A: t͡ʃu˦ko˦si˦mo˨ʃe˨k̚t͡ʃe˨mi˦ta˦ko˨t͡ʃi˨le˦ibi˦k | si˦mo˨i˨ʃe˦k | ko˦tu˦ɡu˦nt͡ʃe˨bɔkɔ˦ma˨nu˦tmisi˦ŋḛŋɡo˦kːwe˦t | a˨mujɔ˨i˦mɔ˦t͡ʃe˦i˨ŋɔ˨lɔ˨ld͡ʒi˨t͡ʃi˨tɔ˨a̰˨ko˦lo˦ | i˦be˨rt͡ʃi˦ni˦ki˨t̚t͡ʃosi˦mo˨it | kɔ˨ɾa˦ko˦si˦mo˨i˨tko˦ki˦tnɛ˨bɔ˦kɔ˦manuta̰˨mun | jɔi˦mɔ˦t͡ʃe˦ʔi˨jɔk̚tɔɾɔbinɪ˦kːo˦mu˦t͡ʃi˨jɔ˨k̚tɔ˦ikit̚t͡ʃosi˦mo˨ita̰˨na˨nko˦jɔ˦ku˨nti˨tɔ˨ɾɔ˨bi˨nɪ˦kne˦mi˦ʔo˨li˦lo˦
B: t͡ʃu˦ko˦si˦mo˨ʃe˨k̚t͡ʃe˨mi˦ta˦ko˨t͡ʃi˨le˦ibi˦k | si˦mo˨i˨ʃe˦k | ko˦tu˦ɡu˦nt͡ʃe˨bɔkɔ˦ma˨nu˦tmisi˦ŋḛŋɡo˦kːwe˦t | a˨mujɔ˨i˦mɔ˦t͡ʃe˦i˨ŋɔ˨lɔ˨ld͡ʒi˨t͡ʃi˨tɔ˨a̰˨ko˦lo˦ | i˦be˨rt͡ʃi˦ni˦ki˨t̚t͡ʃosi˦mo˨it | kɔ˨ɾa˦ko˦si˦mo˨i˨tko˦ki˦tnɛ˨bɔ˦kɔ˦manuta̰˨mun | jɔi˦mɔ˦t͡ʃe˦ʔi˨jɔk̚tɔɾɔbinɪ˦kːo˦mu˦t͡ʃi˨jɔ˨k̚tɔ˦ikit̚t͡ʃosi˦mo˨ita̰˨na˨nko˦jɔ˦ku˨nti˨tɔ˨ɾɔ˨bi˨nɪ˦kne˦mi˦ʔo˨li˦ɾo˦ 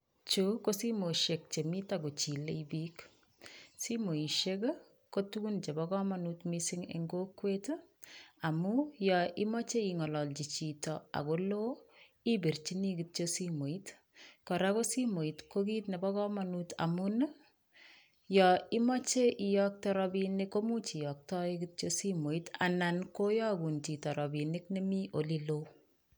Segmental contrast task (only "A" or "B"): A